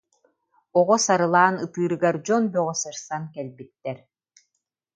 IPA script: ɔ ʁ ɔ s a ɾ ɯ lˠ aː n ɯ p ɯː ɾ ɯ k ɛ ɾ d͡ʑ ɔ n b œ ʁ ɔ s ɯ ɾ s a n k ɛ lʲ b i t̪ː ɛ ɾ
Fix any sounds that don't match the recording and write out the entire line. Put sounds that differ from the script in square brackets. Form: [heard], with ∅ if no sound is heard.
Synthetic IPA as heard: ɔ ʁ ɔ s a ɾ ɯ lˠ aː n ɯ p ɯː ɾ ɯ [ɡ] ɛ ɾ d͡ʑ ɔ n b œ ʁ ɔ s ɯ ɾ s a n k ɛ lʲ b i t̪ː ɛ ɾ